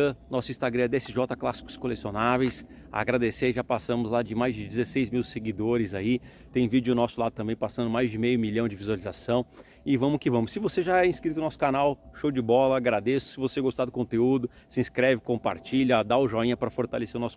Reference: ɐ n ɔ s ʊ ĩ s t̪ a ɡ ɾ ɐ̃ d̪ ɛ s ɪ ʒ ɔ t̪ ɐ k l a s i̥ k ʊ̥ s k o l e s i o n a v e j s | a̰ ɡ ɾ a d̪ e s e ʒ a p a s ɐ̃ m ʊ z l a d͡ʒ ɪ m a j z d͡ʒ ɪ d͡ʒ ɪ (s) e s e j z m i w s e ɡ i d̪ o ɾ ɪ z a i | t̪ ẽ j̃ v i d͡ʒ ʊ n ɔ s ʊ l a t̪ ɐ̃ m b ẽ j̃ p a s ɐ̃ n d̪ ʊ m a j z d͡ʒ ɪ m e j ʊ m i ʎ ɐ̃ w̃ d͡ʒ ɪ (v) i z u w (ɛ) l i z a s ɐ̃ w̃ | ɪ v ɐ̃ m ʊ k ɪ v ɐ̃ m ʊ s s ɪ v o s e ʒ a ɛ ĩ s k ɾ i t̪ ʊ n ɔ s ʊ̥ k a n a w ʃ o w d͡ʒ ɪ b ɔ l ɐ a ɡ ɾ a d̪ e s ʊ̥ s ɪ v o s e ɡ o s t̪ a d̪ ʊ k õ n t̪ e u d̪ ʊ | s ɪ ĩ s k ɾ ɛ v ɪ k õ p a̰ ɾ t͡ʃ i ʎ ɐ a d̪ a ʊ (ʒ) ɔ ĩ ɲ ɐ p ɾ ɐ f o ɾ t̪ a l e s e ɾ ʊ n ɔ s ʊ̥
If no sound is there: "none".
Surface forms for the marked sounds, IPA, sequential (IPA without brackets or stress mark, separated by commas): z, v, a, ʒ